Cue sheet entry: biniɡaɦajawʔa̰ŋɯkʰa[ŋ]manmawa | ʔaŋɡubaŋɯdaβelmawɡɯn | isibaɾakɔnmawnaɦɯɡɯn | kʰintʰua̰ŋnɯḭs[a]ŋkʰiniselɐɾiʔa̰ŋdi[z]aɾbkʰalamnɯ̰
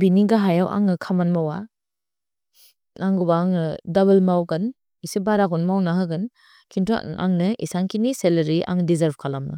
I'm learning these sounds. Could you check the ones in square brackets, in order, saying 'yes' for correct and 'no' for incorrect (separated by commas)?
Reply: no, yes, yes